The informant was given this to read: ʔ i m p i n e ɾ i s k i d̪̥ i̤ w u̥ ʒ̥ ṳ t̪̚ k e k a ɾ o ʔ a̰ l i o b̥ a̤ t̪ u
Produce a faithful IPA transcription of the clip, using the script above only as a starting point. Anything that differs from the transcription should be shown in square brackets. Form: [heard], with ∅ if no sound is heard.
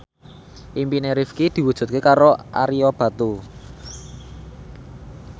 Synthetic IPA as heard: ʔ i m p i n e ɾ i [f] k i d̪̥ i̤ w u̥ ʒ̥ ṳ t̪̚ k e k a ɾ o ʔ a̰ [ɾ] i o b̥ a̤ t̪ u